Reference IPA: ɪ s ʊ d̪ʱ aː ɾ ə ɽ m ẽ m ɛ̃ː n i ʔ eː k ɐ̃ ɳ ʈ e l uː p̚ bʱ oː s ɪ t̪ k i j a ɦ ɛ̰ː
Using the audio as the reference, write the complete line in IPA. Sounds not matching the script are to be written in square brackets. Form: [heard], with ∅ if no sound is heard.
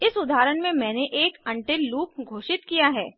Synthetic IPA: ɪ s ʊ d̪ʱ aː ɾ ə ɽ m ẽ m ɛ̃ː n [e] ʔ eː k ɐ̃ ɳ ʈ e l uː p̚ [ɡʱ] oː [ʃ] ɪ t̪ k i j a ɦ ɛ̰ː